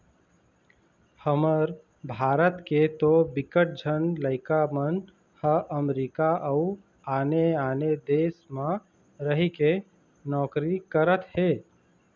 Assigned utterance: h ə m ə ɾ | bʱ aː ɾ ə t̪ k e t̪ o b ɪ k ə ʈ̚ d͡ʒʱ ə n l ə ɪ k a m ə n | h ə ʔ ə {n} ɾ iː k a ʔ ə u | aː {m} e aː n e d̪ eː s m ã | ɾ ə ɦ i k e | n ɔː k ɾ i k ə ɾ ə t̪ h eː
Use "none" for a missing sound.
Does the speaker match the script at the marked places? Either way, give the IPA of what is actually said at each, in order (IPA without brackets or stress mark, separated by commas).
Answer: m, n